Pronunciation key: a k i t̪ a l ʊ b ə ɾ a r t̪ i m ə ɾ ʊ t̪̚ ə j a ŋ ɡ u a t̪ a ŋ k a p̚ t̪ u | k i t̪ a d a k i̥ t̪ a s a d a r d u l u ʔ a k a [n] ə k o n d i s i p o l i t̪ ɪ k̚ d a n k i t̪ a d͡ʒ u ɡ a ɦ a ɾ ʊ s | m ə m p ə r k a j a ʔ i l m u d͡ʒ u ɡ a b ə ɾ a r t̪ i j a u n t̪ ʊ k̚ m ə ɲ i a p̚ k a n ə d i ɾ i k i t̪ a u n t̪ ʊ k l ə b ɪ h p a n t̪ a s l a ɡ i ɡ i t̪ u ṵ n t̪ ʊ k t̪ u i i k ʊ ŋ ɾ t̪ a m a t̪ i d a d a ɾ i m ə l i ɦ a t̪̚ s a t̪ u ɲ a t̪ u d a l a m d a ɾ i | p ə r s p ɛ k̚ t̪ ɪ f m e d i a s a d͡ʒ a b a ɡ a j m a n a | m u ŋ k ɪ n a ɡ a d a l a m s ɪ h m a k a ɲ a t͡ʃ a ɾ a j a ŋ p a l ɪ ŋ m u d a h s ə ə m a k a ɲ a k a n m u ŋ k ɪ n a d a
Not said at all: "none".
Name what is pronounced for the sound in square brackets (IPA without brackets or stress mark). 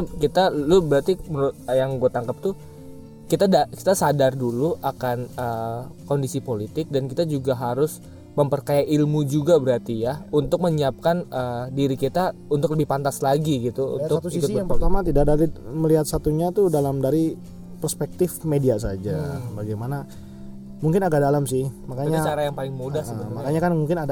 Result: n